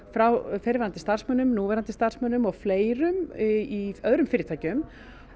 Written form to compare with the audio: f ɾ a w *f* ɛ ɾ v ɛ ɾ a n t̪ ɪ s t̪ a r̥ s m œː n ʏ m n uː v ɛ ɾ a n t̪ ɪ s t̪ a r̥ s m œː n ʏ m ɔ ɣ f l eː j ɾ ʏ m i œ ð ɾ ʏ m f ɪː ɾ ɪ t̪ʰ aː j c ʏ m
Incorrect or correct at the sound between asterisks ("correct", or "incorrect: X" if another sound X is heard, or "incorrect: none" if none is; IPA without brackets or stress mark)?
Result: correct